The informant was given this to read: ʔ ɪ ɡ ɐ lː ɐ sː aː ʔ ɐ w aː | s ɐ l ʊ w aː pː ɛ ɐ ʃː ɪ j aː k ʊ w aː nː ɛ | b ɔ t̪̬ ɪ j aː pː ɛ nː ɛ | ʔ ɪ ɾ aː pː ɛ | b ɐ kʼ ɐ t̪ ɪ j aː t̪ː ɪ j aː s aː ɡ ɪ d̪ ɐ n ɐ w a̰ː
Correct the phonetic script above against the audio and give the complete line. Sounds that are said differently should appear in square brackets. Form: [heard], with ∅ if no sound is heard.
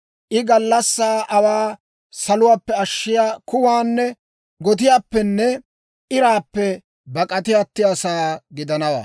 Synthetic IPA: ʔ ɪ ɡ ɐ lː ɐ sː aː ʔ ɐ w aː | s ɐ l ʊ w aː pː ɛ ɐ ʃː ɪ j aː k ʊ w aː nː ɛ | [ɡ] ɔ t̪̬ ɪ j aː pː ɛ nː ɛ | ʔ ɪ ɾ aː pː ɛ | b ɐ kʼ ɐ t̪ ɪ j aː t̪ː ɪ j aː s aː ɡ ɪ d̪ ɐ n ɐ w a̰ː